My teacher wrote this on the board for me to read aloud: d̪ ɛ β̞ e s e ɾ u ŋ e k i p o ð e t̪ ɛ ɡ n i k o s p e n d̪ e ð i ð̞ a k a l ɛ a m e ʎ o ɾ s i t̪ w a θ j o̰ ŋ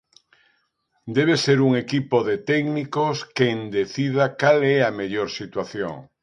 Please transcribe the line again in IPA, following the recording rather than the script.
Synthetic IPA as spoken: d̪ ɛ β̞ e s e ɾ u ŋ e k i p o ð e t̪ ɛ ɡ n i k o s k e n d̪ e θ i ð̞ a k a l ɛ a m e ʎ o ɾ s i t̪ w a θ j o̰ ŋ